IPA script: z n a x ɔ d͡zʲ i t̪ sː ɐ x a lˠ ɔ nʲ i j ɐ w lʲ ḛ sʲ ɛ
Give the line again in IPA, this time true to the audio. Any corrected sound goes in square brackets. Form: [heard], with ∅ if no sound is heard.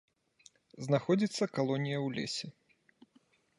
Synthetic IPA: z n a x ɔ d͡zʲ i t̪ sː ɐ [k] a lˠ ɔ nʲ i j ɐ w lʲ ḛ sʲ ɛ